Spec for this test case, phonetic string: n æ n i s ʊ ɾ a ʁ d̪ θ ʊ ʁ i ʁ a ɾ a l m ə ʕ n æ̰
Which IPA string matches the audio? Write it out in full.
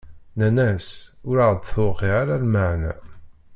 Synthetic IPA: n æ n æ s ʊ ɾ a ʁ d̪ θ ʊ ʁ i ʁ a ɾ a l m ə ʕ n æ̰